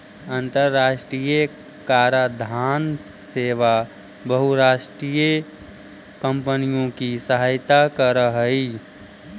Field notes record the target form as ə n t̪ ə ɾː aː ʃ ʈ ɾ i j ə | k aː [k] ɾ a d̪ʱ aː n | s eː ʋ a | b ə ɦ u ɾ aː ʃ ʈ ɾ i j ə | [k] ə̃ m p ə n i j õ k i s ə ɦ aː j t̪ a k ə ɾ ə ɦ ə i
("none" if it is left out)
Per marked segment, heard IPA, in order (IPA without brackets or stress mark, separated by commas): none, k